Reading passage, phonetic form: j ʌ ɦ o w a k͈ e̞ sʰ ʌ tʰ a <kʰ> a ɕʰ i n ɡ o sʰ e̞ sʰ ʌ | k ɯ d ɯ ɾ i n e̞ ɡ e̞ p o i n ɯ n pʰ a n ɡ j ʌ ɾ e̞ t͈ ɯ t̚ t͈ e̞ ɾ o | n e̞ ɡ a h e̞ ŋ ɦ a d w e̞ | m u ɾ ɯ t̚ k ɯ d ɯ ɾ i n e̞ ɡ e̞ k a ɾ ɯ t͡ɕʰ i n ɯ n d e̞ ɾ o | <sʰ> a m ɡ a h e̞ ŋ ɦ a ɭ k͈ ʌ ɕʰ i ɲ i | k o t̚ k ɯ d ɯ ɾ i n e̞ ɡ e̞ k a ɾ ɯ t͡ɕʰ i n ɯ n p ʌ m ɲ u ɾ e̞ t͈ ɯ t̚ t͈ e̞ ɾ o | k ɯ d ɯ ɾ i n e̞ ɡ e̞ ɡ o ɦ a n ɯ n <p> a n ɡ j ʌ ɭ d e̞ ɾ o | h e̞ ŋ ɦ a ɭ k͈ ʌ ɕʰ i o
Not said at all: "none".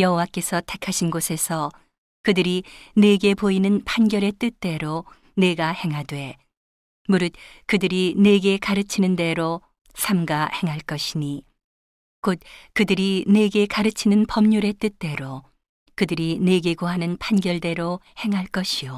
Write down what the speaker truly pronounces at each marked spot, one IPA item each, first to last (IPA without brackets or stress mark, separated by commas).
kʰ, sʰ, pʰ